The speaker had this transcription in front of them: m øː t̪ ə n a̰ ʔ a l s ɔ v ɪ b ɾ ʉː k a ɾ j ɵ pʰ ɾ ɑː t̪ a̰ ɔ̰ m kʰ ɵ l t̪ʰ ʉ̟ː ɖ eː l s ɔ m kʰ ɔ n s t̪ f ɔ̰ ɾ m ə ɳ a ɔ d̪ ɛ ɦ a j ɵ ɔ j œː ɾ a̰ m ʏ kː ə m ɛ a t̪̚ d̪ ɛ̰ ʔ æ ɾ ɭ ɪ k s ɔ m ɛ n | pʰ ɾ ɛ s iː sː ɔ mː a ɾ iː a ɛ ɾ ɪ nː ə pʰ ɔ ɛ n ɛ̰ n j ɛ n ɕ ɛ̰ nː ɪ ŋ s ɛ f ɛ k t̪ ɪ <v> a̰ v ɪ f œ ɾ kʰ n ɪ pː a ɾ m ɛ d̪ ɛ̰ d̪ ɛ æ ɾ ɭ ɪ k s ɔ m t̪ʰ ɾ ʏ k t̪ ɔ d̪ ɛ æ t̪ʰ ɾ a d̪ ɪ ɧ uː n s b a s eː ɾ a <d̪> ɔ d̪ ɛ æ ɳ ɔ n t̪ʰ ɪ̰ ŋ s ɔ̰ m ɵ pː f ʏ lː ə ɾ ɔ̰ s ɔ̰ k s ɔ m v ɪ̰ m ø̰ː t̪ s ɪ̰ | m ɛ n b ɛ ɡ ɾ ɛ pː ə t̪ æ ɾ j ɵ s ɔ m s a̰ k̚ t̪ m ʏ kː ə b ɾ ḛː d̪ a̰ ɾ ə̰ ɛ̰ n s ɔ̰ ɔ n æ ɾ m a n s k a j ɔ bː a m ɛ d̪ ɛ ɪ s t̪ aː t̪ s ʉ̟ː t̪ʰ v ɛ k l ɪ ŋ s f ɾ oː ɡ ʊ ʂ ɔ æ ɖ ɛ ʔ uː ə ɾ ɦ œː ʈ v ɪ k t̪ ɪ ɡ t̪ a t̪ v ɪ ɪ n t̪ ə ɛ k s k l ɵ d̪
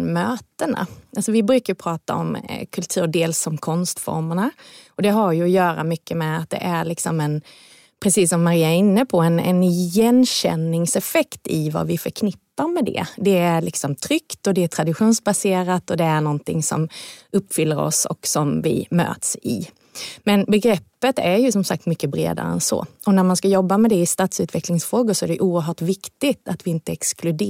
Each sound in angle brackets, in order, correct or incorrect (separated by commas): correct, incorrect